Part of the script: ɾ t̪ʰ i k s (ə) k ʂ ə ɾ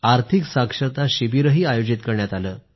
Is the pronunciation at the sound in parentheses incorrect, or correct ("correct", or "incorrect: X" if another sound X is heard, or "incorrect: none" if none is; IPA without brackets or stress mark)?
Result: incorrect: a